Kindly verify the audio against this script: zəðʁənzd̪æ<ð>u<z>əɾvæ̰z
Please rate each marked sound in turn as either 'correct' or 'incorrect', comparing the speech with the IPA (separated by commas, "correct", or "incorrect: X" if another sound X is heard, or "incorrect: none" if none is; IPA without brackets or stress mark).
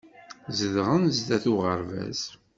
incorrect: θ, incorrect: ʁ